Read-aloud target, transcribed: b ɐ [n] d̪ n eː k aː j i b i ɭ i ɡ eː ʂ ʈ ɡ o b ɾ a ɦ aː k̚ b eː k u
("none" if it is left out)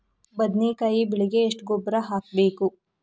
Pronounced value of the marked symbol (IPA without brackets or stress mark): none